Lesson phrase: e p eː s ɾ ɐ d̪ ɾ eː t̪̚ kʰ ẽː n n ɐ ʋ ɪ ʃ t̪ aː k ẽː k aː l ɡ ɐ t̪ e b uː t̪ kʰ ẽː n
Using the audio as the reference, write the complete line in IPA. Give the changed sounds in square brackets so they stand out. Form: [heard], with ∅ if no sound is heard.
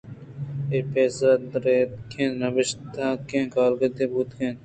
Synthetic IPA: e p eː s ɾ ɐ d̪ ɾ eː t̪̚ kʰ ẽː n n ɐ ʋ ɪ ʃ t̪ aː k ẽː k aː l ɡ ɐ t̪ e b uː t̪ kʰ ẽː n